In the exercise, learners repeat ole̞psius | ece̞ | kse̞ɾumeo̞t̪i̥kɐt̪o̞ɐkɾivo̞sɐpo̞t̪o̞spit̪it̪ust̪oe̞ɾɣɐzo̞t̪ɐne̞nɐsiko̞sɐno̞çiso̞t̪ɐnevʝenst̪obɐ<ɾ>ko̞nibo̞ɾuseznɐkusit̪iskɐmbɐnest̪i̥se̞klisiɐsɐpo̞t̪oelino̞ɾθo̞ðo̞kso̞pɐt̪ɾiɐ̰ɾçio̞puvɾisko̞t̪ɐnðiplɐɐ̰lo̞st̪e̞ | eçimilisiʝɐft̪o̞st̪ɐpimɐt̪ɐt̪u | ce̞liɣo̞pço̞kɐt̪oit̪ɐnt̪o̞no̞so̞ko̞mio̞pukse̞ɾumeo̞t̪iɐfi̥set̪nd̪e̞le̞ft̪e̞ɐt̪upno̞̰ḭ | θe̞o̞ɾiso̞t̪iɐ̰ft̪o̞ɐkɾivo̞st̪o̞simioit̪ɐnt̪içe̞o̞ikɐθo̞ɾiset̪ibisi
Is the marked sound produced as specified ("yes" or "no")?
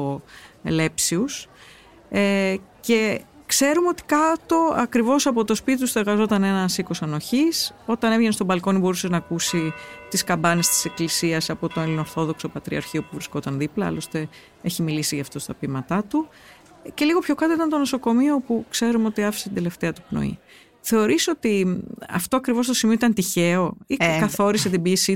no